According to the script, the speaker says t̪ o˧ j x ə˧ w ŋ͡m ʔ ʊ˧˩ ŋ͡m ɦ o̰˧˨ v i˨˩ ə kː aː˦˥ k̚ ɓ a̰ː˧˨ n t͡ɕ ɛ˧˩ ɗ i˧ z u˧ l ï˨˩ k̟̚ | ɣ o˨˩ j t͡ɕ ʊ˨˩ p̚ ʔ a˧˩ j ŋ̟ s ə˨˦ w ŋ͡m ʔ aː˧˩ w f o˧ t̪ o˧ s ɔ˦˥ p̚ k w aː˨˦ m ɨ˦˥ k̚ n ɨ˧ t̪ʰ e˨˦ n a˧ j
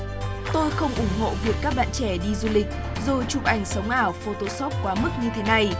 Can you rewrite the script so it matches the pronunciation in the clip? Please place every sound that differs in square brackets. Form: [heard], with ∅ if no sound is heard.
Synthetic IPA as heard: t̪ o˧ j x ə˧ w ŋ͡m ʔ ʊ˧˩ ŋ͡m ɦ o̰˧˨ v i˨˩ ə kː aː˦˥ k̚ ɓ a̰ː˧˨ n t͡ɕ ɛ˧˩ ɗ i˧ z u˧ l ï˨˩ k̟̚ | [z] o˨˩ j t͡ɕ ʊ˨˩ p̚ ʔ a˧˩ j ŋ̟ s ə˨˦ w ŋ͡m ʔ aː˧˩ w f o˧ t̪ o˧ s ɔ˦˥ p̚ k w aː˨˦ m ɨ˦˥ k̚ [ɲ] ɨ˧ t̪ʰ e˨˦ n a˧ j